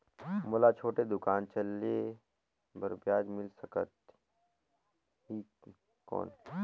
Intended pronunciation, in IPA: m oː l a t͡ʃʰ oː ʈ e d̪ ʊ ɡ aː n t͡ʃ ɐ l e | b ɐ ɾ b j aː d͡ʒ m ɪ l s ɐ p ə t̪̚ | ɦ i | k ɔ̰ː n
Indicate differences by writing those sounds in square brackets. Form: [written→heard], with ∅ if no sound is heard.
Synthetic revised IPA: m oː l a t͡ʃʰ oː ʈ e d̪ ʊ [ɡ→k] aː n t͡ʃ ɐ l e | b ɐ ɾ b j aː d͡ʒ m ɪ l s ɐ [p→k] ə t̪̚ | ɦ i | k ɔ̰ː n